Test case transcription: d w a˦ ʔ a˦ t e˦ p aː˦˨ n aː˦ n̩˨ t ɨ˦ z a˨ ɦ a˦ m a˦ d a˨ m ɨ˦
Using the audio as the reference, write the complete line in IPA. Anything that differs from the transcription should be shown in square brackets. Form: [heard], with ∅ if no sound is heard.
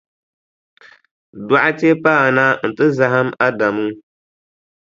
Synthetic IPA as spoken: d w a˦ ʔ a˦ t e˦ p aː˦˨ n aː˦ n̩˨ t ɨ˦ z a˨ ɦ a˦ m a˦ d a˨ m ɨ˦